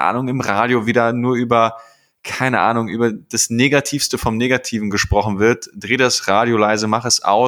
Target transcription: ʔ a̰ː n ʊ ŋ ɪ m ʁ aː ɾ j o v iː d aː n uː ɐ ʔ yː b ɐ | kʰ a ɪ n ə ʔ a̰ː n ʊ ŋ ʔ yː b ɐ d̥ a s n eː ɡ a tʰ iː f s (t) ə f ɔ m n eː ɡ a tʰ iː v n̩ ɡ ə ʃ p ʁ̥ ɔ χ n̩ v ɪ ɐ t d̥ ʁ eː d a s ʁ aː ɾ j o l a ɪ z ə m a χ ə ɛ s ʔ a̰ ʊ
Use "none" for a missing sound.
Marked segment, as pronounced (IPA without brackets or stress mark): t